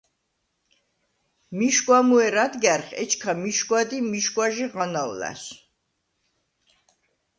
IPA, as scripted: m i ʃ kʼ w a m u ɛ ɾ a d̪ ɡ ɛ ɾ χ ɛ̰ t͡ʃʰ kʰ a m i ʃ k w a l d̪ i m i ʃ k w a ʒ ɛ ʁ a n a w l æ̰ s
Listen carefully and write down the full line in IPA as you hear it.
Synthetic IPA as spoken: m i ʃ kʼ w a m u ɛ ɾ a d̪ ɡ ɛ ɾ χ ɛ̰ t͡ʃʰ kʰ a m i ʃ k w a d̪ i m i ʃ k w a ʒ i ʁ a n a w l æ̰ s